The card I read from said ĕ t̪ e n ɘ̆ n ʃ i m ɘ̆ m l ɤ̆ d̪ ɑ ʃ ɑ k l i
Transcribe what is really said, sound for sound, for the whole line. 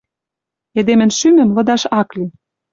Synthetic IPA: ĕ d̪ e m ɘ̆ n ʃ y m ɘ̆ m l ɤ̆ d̪ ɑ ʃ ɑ k l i